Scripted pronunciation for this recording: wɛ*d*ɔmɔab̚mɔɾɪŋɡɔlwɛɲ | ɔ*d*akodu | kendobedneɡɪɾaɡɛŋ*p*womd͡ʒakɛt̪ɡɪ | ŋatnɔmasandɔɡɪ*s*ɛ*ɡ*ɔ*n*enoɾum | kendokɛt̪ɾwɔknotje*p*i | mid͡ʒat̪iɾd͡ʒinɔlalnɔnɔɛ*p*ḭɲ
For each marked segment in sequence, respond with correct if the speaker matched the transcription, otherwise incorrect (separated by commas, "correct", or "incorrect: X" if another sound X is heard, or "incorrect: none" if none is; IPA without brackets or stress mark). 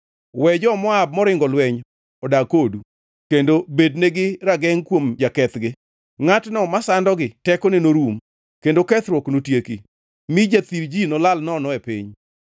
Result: incorrect: d͡ʒ, correct, incorrect: k, incorrect: t, incorrect: k, correct, incorrect: k, correct